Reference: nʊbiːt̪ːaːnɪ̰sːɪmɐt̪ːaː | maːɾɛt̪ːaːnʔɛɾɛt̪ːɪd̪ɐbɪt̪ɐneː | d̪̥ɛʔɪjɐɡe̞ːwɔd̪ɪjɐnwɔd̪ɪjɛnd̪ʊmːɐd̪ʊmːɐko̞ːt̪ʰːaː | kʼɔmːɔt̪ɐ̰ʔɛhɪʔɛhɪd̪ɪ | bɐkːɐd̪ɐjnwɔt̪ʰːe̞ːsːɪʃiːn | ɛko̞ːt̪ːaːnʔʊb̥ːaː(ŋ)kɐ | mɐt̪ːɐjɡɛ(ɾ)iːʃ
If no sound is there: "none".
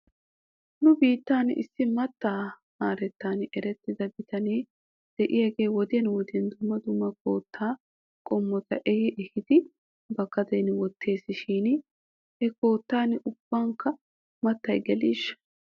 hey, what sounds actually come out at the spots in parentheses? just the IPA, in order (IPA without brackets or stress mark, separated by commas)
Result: ŋ, l